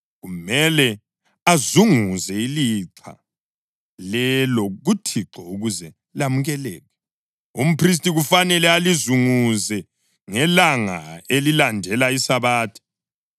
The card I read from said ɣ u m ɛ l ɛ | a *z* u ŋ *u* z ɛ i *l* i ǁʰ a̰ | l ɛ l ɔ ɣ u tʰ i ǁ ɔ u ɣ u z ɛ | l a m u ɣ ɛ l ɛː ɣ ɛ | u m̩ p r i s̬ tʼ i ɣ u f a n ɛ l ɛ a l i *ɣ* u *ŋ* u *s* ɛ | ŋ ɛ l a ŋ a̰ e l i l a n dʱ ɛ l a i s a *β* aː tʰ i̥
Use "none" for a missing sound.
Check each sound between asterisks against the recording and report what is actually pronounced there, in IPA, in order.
z, u, l, z, ŋ, z, β

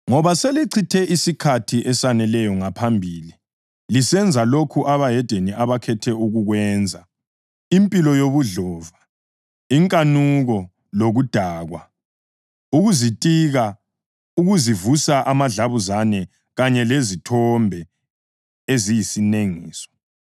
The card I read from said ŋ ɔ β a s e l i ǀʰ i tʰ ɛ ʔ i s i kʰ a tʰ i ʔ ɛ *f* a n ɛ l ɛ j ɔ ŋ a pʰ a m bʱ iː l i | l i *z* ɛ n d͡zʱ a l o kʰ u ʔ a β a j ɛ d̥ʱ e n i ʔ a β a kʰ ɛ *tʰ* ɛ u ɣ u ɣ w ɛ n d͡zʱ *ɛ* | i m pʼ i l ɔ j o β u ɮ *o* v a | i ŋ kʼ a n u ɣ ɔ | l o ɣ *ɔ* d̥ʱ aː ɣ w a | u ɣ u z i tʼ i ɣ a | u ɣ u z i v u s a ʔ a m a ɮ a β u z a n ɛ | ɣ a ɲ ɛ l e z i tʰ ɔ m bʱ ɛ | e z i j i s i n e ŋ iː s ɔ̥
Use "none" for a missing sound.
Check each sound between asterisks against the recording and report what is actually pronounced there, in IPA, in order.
s, s, tʰ, a, ɔ, u

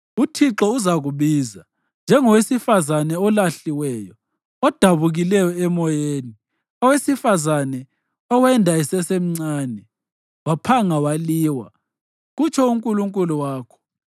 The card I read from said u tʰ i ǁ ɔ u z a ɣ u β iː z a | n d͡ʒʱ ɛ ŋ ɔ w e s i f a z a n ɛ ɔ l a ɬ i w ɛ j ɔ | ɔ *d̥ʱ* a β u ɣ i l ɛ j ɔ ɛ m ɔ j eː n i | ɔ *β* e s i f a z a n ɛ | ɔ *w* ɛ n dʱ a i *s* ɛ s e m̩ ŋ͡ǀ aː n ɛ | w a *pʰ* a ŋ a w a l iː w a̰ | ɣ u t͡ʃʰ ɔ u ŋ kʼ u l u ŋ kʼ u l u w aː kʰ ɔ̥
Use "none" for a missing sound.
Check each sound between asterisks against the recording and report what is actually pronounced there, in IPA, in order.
d̥ʱ, w, w, s, pʰ

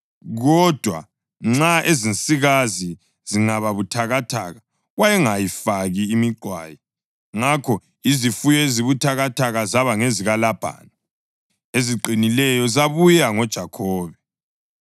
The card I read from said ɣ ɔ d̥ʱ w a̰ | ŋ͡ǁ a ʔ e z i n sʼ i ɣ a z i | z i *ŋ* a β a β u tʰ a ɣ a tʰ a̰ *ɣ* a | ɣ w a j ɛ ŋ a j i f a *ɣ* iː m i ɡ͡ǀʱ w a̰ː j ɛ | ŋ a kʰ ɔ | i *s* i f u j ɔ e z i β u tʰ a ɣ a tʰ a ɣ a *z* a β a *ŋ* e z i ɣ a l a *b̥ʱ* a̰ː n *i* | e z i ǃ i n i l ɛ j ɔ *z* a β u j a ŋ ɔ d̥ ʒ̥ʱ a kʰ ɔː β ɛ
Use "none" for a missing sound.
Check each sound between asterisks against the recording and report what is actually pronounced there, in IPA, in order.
ŋ, ɣ, ɣ, z, z, ŋ, b̥ʱ, a, z

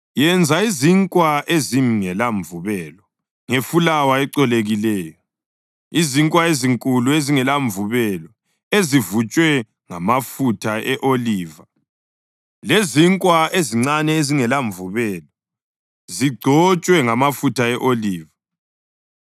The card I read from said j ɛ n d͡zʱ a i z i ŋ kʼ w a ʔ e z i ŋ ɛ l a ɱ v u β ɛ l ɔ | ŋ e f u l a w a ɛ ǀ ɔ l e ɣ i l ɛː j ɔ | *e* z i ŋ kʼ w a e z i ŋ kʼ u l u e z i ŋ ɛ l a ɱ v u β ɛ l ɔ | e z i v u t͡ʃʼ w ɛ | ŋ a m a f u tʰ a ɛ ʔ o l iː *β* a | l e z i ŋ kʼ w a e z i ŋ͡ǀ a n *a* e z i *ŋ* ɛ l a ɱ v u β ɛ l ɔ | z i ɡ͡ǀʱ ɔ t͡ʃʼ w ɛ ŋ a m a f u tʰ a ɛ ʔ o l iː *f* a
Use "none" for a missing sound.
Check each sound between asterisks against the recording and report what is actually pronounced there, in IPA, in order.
i, v, ɛ, ŋ, v

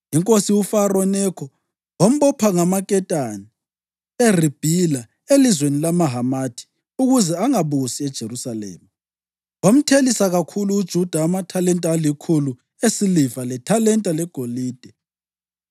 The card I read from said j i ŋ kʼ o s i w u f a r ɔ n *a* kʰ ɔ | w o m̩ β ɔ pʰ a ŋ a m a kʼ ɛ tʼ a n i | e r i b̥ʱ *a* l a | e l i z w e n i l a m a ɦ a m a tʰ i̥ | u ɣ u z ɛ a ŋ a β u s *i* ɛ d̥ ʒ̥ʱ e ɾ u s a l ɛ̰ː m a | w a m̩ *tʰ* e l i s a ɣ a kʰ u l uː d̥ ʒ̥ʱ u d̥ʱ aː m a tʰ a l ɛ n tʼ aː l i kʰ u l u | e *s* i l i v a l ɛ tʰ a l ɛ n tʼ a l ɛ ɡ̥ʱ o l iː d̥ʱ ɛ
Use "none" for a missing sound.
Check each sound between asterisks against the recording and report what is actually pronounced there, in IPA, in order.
ɛ, i, i, tʰ, s

